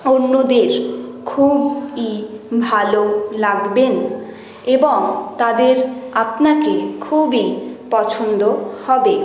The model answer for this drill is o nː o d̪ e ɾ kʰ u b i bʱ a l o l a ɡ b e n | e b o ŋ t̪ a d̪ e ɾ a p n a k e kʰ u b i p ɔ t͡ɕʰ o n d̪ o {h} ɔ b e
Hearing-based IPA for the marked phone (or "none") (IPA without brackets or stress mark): h